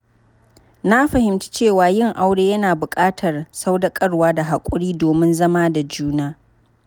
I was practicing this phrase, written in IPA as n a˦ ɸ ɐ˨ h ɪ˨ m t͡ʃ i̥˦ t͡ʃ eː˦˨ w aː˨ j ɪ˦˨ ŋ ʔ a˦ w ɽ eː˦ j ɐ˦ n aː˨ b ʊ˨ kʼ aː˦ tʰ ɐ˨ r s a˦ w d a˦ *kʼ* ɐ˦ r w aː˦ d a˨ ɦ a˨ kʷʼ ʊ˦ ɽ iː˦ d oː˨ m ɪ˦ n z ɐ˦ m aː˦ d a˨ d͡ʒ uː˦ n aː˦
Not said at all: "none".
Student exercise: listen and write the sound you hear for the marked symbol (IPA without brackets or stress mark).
kʼ